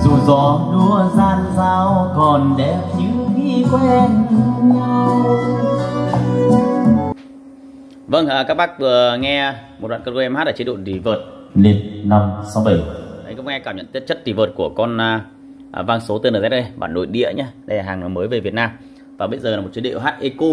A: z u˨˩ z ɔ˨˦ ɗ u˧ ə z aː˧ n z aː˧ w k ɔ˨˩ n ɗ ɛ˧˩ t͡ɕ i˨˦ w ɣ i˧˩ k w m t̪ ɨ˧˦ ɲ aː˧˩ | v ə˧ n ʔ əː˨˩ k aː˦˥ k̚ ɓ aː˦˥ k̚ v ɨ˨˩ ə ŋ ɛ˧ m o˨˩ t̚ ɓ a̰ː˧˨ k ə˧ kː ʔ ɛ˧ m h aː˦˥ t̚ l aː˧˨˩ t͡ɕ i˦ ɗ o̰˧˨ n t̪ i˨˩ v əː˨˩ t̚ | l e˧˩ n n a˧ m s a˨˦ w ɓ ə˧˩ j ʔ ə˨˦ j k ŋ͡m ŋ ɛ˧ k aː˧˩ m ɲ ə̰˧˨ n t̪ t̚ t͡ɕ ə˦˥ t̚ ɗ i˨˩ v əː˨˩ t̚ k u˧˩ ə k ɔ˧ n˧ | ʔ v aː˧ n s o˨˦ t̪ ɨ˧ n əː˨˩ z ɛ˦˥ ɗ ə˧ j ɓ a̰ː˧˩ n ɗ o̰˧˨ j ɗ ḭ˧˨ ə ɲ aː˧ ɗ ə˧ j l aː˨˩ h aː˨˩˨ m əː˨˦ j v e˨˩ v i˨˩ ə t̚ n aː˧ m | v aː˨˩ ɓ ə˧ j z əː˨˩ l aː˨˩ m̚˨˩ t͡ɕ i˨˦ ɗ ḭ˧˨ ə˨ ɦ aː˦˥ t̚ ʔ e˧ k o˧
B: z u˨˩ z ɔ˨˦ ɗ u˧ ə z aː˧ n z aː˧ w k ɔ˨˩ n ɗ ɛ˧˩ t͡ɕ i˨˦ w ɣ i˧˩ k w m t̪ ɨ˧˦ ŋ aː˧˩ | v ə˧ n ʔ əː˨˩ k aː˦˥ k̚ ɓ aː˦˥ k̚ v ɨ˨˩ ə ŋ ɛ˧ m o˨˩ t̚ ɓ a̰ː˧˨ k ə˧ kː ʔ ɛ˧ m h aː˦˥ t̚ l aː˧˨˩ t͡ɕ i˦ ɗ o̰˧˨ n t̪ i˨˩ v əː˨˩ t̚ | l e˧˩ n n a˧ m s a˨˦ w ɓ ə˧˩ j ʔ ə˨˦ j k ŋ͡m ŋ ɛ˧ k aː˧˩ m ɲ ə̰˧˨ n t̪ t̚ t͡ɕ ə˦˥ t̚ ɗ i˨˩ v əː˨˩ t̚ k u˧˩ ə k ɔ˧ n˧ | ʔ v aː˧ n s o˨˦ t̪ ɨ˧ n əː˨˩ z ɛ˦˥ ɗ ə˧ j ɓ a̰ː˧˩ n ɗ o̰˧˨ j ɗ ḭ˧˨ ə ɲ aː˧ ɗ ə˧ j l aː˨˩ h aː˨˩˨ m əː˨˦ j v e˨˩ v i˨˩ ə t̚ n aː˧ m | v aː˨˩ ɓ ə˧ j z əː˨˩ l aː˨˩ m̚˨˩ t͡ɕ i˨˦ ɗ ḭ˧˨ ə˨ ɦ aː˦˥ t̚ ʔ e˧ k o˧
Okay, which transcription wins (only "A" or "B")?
A